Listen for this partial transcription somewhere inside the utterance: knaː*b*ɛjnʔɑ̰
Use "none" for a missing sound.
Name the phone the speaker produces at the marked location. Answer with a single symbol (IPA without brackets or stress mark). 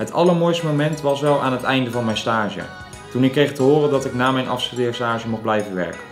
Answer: m